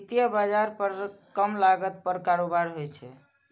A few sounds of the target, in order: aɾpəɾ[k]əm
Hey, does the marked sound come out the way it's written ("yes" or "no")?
yes